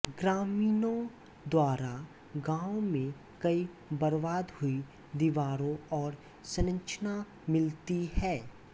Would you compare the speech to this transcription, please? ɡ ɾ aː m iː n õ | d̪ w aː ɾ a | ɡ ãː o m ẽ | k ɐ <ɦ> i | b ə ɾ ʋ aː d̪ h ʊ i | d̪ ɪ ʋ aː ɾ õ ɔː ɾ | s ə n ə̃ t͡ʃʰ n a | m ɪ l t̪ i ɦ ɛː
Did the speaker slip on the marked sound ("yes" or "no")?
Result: yes